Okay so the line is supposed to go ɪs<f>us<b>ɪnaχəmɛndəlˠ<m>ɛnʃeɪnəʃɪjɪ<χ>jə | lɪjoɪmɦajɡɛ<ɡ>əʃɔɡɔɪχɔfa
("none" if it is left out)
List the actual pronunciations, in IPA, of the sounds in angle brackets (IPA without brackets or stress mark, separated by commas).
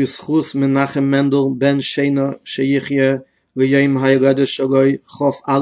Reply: χ, m, b, χ, d